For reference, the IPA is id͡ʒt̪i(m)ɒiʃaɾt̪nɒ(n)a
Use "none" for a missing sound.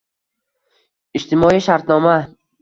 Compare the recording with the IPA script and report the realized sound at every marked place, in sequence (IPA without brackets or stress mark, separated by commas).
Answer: m, m